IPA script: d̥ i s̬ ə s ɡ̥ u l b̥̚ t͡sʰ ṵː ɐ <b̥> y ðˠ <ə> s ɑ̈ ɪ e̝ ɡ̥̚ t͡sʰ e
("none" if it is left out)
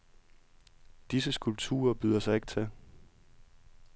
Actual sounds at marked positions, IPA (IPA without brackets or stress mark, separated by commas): b̥, ɐ